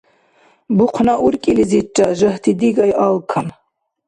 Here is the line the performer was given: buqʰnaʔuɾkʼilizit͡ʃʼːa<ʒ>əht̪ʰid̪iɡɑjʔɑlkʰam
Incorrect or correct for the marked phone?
correct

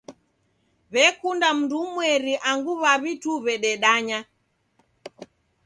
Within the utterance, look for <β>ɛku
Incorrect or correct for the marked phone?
correct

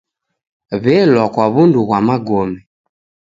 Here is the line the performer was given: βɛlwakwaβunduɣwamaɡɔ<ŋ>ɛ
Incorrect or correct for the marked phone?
incorrect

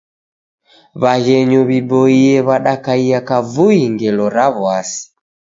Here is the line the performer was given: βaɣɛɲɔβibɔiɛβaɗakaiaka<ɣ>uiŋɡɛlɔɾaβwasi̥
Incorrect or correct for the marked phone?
incorrect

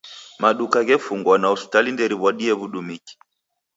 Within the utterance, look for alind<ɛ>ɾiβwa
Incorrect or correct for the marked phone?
correct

